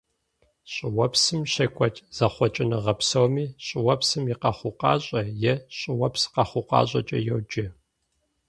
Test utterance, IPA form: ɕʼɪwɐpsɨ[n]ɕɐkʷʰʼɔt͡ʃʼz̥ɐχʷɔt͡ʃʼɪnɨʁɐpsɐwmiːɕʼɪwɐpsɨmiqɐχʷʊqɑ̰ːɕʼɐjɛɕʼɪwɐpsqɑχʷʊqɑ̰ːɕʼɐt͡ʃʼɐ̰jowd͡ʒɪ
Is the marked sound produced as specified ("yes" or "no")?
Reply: no